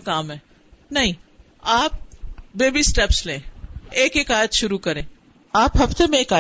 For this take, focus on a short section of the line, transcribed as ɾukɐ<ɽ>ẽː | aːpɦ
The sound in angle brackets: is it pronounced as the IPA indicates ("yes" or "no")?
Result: no